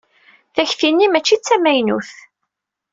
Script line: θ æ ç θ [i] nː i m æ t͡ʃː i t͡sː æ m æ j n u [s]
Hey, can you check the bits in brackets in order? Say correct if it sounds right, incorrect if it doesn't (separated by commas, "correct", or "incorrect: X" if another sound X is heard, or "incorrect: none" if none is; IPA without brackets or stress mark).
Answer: correct, incorrect: θ